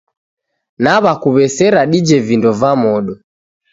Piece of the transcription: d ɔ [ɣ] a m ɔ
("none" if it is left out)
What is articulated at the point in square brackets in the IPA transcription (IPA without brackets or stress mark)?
v